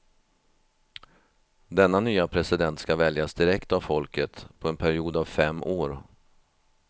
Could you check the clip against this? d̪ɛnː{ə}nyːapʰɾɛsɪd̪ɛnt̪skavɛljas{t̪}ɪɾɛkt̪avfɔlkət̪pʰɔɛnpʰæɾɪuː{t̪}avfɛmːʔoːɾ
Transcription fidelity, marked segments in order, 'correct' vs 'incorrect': incorrect, incorrect, incorrect

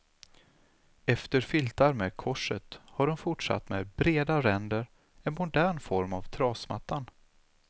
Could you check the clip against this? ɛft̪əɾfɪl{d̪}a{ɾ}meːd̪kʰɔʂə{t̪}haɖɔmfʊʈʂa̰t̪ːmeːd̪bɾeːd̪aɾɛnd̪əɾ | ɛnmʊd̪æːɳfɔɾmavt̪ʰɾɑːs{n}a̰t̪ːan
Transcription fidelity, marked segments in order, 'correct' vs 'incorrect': incorrect, correct, correct, incorrect

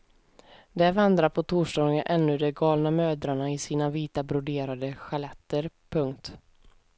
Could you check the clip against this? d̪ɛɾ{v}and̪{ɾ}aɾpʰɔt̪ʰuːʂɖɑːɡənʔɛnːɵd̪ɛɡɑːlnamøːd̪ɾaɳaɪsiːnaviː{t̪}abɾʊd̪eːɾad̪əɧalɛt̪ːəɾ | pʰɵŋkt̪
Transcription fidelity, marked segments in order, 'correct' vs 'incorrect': correct, correct, correct

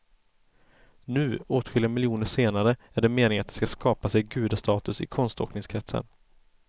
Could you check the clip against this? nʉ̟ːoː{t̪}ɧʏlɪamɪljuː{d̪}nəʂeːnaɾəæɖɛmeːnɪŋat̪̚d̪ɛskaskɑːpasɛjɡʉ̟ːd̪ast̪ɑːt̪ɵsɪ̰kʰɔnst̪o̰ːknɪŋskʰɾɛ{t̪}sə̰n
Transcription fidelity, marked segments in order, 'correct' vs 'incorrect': correct, incorrect, correct

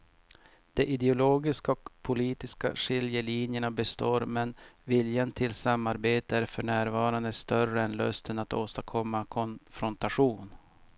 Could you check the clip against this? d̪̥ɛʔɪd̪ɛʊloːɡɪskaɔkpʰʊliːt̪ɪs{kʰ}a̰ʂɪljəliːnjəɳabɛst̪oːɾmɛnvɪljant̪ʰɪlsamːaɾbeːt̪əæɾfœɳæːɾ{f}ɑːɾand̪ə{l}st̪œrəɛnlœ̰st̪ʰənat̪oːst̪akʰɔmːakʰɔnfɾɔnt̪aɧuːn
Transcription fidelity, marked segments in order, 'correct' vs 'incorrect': incorrect, incorrect, incorrect

